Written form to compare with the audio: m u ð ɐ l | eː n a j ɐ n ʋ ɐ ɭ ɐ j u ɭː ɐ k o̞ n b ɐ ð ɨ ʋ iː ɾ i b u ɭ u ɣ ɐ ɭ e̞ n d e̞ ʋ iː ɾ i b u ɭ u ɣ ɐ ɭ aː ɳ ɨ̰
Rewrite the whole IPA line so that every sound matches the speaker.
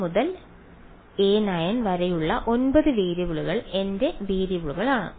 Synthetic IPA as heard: m u ð ɐ l | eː n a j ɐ n ʋ ɐ ɾ ɐ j u ɭː ɐ ʔ o̞ n b ɐ ð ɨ ʋ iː ɾ i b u ɭ u ɣ ɐ ɭ e̞ n d e̞ ʋ iː ɾ i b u ɭ u ɣ ɐ ɭ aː ɳ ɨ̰